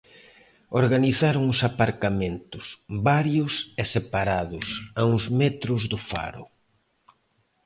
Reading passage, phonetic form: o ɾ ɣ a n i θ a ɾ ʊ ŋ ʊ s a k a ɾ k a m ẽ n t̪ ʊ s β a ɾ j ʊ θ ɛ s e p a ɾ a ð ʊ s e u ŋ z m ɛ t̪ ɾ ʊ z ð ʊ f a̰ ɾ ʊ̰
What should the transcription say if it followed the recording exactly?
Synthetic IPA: o ɾ ɣ a n i θ a ɾ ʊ ŋ ʊ s a p a ɾ k a m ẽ n t̪ ʊ s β a ɾ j ʊ s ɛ s e p a ɾ a ð ʊ s a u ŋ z m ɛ t̪ ɾ ʊ z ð ʊ f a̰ ɾ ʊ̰

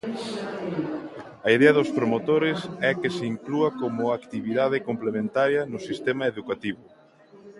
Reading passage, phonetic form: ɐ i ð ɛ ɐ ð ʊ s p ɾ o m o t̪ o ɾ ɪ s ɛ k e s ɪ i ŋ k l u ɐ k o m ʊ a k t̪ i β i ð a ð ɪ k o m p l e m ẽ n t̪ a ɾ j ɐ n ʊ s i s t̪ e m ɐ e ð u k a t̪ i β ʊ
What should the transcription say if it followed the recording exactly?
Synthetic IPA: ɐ i ð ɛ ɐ ð ʊ s p ɾ o m o t̪ o ɾ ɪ s ɛ k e s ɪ i ŋ k l u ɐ k o m ʊ a k t̪ i β i ð a ð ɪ k o m p l e m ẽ n t̪ a ɾ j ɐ n ʊ s i s t̪ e m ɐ e ð u k a t̪ i β ʊ

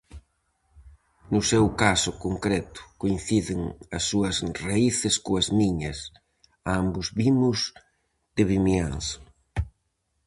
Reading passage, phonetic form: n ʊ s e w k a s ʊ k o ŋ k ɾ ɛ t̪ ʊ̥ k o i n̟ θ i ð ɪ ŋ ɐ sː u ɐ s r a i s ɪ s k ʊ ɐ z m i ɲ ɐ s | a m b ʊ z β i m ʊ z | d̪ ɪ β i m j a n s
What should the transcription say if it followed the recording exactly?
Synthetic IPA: n ʊ s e w k a s ʊ k o ŋ k ɾ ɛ t̪ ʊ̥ k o i n̟ θ i ð ɪ ŋ ɐ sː u ɐ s r a i θ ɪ s k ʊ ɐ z m i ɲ ɐ s | a m b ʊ z β i m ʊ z | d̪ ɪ β i m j a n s

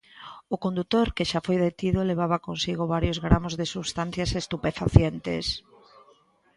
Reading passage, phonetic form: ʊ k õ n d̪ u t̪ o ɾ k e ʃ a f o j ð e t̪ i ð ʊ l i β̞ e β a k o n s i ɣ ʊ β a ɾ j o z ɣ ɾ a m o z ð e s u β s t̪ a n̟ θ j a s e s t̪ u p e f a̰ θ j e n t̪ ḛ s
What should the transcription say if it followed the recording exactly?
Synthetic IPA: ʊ k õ n d̪ u t̪ o ɾ k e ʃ a f o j ð e t̪ i ð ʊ l e β̞ a β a k o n s i ɣ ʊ β a ɾ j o z ɣ ɾ a m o z ð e s u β s t̪ a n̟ θ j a s e s t̪ u p e f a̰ θ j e n t̪ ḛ s

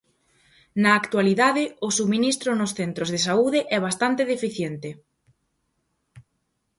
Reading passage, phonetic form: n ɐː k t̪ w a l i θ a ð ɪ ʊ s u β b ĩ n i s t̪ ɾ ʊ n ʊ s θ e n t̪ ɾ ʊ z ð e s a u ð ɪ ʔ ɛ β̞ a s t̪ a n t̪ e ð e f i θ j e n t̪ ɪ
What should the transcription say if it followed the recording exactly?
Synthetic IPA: n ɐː k t̪ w a l i ð a ð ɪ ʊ s u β m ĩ n i s t̪ ɾ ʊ n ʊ s θ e n t̪ ɾ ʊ z ð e s a u ð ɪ ʔ ɛ β̞ a s t̪ a n t̪ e ð e f i θ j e n t̪ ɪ

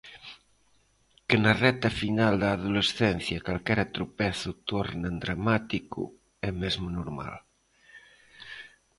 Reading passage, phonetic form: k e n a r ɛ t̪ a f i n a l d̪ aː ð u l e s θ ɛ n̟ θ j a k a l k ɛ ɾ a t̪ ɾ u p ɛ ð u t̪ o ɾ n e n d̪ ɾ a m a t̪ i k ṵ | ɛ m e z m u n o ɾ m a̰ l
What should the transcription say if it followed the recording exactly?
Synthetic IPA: k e n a r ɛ t̪ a f i n a l d̪ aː ð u l e s θ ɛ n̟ θ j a k a l k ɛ ɾ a t̪ ɾ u p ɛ θ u t̪ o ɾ n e n d̪ ɾ a m a t̪ i k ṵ | ɛ m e z m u n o ɾ m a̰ l

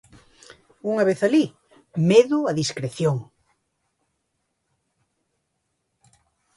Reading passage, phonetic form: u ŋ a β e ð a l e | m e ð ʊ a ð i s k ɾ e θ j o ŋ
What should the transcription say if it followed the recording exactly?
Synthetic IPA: u ŋ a β e θ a l i | m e ð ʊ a ð i s k ɾ e θ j o ŋ

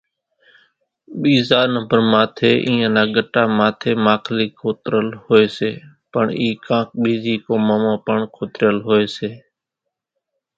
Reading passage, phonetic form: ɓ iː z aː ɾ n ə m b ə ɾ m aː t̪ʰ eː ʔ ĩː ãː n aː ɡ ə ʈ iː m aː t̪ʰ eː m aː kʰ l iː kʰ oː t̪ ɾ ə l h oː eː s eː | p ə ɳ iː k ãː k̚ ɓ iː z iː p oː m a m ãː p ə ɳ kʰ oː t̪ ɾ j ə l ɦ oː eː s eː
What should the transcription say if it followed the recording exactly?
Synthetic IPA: ɓ iː z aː ɾ n ə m b ə ɾ m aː t̪ʰ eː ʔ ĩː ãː n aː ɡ ə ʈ aː m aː t̪ʰ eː m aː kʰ l iː kʰ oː t̪ ɾ ə l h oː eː s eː | p ə ɳ iː k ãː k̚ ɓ iː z iː k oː m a m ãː p ə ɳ kʰ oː t̪ ɾ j ə l ɦ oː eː s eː

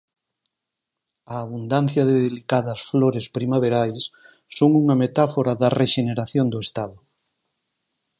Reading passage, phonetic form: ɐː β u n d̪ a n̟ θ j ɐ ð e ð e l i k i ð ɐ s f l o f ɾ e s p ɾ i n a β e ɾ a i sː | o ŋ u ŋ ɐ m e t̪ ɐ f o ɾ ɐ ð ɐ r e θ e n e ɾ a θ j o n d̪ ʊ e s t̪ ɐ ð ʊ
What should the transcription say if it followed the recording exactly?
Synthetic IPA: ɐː β u n d̪ a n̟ θ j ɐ ð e ð e l i k a ð ɐ s f l o ɾ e s p ɾ i m a β e ɾ a j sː | o ŋ u ŋ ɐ m e t̪ a f o ɾ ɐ ð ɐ r e ʃ e n e ɾ a θ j o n d̪ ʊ e s t̪ a ð ʊ

